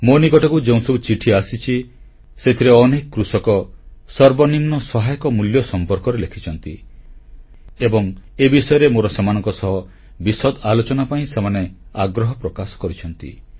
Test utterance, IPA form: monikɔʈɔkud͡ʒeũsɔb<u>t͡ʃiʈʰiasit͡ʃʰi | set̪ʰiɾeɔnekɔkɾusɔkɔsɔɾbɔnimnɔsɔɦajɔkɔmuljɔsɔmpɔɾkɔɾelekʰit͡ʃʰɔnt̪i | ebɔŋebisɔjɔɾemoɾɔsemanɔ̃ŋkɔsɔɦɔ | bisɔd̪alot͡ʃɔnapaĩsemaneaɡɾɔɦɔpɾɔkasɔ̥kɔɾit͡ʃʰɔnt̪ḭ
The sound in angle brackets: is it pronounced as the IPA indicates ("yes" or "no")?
yes